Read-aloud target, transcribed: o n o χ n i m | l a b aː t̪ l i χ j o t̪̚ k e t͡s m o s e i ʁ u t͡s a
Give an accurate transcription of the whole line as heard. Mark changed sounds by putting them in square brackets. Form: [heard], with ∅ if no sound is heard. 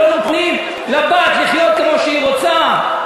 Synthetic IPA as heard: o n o χ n i m | l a b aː t̪ l i χ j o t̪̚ k e [∅] m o [ʃ] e i ʁ [o] t͡s a

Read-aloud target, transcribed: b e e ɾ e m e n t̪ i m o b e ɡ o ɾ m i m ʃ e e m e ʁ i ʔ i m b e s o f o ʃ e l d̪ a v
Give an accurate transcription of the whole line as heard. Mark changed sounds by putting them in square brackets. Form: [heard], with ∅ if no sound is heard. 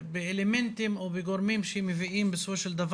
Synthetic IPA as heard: b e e [l] e m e n t̪ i m o b e ɡ o ɾ m i m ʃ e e m e [v] i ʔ i m b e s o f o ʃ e l d̪ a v

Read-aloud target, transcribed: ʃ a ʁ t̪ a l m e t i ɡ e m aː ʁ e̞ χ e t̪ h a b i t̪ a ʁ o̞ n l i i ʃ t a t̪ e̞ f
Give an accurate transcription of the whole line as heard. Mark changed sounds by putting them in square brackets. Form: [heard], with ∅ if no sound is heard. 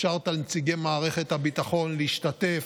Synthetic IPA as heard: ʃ a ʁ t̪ a l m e [t͡s] i ɡ e m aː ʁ e̞ χ e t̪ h a b i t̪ a [χ] o̞ n l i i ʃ t a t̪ e̞ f

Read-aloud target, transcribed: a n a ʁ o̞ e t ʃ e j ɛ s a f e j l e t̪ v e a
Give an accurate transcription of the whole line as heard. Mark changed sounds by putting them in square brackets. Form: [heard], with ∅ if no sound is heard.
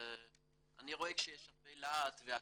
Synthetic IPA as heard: a n [i] ʁ o̞ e [k] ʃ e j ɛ [ʃ] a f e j l [a] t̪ v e a

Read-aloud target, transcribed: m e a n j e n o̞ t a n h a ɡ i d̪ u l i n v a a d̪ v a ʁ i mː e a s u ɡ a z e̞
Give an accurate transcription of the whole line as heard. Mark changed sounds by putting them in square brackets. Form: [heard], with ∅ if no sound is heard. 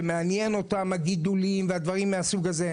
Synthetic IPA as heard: m e a n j e n o̞ t a [m] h a ɡ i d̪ u l i [m] v [e] a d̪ v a ʁ i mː e a s u ɡ a z e̞

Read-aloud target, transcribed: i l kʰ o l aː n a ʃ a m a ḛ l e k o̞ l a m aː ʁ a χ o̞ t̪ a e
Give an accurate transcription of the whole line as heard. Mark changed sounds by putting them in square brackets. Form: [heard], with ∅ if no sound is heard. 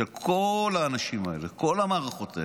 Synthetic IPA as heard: [e] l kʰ o l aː n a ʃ [i] m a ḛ l e k o̞ l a m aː ʁ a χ o̞ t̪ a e

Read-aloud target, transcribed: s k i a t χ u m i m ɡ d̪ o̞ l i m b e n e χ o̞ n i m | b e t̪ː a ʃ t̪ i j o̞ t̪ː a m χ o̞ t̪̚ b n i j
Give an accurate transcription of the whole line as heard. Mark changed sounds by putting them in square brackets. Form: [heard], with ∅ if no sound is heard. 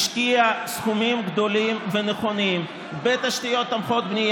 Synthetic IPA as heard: [ʃ] k i a [s] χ u m i m ɡ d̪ o̞ l i m [v] e n e χ o̞ n i m | b e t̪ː a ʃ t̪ i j o̞ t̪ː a m χ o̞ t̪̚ b n i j

